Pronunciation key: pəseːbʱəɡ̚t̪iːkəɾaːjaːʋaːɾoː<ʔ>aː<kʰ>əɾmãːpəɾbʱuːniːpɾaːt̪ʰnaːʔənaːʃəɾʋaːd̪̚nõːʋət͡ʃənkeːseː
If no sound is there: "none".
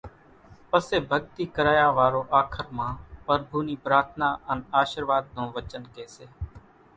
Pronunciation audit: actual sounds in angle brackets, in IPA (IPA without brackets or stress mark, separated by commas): ʔ, kʰ